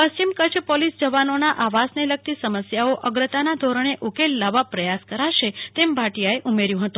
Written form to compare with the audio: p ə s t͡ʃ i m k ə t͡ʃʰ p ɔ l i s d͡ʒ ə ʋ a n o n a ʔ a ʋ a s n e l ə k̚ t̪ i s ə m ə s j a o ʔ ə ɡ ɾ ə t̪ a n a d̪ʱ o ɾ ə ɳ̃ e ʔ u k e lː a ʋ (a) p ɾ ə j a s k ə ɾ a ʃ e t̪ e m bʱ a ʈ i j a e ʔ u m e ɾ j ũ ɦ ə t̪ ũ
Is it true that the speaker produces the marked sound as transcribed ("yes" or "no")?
yes